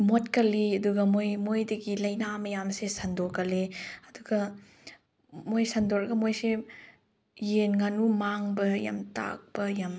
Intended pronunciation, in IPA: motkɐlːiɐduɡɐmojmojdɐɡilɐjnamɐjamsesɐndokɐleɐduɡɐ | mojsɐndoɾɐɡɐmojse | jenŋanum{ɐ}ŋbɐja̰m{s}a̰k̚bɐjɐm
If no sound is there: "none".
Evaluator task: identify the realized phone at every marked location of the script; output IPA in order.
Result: a, t

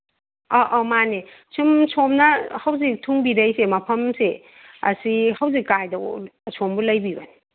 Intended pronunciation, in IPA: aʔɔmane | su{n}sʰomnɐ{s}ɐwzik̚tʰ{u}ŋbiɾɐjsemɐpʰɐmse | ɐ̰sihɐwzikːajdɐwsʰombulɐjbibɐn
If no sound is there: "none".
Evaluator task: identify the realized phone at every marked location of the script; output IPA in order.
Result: m, h, u

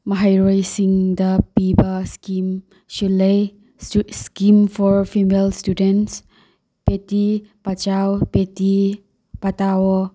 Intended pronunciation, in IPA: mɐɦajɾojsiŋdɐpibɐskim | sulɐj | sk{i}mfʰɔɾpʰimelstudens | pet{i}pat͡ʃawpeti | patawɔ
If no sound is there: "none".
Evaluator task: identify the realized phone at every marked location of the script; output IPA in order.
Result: i, i

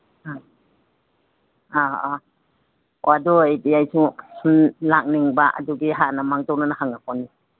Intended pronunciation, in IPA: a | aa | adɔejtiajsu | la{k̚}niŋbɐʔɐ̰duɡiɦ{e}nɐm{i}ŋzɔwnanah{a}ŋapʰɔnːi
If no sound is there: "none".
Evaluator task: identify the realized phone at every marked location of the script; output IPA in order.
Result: k̚, a, a, a

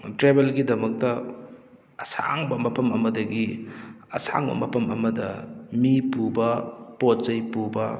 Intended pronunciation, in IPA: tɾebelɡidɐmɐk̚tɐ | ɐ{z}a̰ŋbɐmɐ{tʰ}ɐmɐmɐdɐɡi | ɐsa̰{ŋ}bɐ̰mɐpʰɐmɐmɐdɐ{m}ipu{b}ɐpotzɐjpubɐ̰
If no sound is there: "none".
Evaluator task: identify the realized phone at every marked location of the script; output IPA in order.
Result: s, pʰ, ŋ, m, b

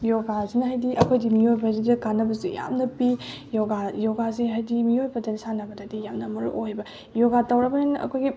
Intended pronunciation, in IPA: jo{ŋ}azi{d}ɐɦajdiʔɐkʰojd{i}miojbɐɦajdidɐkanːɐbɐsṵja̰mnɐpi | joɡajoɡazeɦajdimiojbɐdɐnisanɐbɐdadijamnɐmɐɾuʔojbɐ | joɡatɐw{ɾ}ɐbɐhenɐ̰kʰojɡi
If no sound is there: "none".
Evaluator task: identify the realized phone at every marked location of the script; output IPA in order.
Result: ɡ, n, i, ɾ

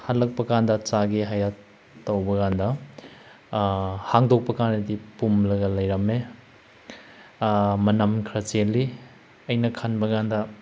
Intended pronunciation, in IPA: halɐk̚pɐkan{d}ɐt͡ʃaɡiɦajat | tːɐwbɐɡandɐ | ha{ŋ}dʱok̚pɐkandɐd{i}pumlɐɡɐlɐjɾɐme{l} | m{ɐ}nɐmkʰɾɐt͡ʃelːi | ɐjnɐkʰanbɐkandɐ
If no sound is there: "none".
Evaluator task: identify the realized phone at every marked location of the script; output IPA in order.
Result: d, ŋ, i, none, ɐ

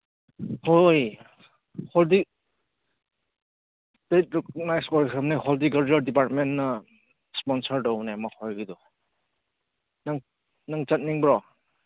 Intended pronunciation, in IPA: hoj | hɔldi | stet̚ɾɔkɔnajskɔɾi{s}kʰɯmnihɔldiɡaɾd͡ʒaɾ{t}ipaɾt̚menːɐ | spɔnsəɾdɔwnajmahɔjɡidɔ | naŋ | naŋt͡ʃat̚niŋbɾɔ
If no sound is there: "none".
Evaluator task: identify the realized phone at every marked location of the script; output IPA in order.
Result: none, d

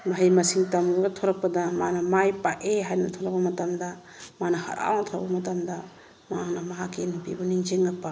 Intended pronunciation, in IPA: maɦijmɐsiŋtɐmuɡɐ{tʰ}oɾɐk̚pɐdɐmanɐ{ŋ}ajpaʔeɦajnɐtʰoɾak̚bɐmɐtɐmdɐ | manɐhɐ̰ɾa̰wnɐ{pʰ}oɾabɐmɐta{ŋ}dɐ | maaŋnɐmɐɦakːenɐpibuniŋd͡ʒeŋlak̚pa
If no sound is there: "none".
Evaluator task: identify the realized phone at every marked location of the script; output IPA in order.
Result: tʰ, m, tʰ, m

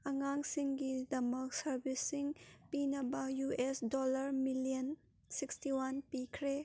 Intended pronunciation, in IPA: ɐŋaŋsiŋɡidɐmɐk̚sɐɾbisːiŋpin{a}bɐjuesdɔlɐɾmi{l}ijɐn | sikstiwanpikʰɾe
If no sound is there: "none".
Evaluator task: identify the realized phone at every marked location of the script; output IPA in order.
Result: ɐ, l

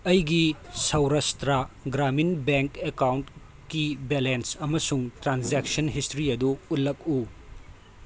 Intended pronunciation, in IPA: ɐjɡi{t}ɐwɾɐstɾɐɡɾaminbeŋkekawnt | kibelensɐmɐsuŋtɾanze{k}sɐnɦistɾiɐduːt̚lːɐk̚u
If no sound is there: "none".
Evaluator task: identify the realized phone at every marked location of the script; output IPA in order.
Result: s, k

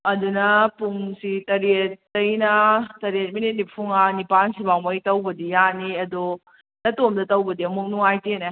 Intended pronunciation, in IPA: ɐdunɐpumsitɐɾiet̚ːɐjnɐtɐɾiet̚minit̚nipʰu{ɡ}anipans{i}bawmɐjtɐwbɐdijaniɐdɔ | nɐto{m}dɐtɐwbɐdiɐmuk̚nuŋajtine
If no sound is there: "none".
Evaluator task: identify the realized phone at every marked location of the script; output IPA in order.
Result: ŋ, i, m

